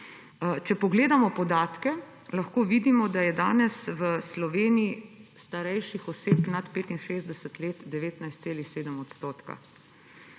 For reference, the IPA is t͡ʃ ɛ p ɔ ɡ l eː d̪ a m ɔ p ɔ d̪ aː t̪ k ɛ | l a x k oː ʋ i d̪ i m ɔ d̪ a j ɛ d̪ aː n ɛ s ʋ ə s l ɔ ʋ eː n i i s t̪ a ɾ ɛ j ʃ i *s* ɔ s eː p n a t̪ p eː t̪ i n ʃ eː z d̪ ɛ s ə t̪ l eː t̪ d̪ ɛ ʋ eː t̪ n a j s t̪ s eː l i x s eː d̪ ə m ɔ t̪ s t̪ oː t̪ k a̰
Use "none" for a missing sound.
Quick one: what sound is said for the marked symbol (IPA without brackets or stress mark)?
x